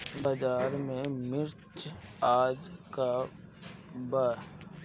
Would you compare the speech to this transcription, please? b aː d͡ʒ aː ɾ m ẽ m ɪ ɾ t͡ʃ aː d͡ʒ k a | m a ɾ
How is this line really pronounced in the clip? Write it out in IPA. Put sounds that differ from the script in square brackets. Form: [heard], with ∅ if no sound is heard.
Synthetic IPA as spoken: b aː d͡ʒ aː ɾ m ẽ m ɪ ɾ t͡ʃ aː d͡ʒ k a | [b] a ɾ